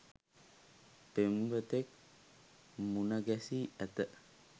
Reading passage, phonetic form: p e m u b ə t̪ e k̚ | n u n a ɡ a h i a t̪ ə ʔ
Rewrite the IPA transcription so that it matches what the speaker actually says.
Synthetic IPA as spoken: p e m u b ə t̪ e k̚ | m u n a ɡ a s i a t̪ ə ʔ

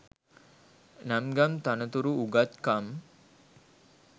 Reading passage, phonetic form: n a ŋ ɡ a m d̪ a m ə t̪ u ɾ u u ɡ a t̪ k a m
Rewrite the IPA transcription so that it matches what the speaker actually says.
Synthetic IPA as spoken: n a m ɡ a m t̪ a n ə t̪ u ɾ u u ɡ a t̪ k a m

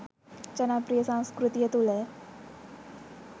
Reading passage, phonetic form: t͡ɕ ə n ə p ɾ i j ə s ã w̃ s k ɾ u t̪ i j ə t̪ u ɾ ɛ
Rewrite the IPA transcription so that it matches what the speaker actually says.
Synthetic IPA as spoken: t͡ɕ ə n a p ɾ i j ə s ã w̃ s k ɾ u t̪ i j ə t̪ u l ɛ

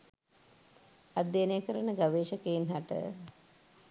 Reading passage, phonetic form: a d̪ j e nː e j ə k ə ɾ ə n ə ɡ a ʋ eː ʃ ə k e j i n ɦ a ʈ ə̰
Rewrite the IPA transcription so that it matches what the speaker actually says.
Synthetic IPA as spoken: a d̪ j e n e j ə k ə ɾ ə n ə ɡ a ʋ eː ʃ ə k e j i n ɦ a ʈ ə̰

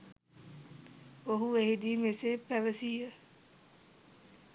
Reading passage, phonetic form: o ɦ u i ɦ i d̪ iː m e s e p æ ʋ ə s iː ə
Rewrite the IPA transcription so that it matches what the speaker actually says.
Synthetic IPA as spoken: o ɦ u e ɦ i d̪ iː m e s e p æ ʋ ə s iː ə

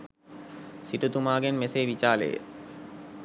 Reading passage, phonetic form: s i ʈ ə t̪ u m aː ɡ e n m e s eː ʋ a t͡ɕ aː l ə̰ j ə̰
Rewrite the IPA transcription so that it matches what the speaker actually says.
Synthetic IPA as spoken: s i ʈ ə t̪ u m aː ɡ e n m e s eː ʋ i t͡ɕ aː l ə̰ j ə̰

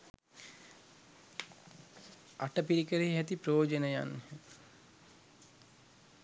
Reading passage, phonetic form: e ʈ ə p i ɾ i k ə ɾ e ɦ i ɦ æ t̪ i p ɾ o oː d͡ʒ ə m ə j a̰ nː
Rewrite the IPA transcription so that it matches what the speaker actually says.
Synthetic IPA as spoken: a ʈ ə p i ɾ i k ə ɾ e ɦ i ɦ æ t̪ i p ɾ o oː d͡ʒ ə n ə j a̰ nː

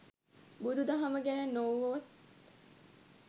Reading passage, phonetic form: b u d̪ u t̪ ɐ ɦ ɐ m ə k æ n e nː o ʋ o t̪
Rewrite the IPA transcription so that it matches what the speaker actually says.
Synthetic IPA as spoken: b u d̪ u d̪ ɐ ɦ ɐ m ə ɡ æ n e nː o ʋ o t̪

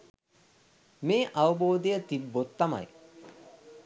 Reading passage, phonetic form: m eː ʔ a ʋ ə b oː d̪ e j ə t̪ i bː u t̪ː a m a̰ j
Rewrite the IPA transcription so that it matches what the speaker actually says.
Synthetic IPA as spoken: m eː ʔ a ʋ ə b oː d̪ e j ə t̪ i bː o t̪ː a m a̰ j

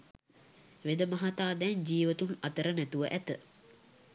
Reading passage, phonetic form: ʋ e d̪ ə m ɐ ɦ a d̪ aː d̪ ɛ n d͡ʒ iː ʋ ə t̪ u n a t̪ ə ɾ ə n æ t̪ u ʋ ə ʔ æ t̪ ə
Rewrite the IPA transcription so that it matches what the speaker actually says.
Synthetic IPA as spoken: ʋ e d̪ ə m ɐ ɦ a t̪ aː d̪ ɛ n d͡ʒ iː ʋ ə t̪ u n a t̪ ə ɾ ə n æ t̪ u ʋ ə ʔ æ t̪ ə

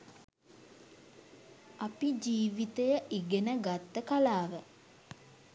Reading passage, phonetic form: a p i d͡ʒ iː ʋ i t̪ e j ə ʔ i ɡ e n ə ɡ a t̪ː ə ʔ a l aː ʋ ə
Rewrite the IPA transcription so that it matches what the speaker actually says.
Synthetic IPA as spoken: a p i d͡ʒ iː ʋ i t̪ e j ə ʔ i ɡ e n ə ɡ a t̪ː ə k a l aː ʋ ə

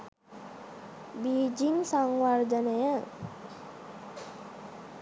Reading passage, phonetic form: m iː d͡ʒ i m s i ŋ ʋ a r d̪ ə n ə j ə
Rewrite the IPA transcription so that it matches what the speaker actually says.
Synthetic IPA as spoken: b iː d͡ʒ i ŋ s a ŋ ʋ a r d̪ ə n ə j ə

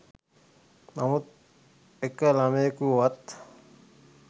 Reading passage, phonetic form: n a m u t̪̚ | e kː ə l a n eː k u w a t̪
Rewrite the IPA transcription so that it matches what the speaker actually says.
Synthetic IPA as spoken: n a m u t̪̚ | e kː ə l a m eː k u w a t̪

